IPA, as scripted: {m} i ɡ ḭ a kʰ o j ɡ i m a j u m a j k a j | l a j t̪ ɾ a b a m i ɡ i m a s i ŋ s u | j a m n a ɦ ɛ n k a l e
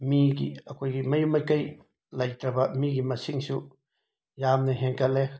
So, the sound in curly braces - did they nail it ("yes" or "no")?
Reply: yes